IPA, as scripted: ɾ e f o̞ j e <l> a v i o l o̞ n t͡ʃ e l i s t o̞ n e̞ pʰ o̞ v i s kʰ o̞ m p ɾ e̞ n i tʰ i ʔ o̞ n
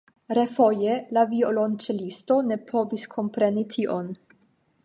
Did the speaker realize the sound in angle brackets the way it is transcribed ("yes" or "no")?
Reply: yes